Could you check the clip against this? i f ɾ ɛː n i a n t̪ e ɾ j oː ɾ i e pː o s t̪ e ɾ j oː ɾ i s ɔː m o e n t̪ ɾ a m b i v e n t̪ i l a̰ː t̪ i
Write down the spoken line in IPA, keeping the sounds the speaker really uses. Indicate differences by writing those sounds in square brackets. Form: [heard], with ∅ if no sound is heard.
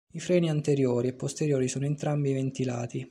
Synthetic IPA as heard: i f ɾ ɛː n i a n t̪ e ɾ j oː ɾ i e pː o s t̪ e ɾ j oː ɾ i s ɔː [n] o e n t̪ ɾ a m b i v e n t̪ i l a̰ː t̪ i